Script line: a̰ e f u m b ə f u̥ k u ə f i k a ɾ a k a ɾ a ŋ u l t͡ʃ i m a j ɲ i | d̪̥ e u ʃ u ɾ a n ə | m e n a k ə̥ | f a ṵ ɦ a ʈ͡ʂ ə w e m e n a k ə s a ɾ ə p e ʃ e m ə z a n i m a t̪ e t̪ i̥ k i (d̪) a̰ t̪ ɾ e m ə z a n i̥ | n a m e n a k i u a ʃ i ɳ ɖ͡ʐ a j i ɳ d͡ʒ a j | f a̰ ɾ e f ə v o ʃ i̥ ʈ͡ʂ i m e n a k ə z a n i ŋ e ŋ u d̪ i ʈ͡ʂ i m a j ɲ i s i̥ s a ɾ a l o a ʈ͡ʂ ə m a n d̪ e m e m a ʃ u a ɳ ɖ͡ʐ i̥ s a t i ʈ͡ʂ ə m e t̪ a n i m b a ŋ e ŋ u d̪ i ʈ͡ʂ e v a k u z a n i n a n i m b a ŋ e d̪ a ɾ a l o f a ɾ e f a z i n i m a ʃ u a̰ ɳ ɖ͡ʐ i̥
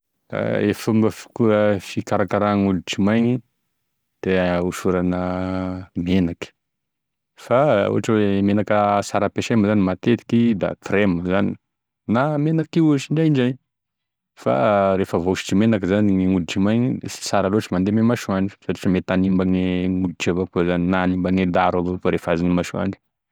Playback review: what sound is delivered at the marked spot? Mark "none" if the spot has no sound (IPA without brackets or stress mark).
d̪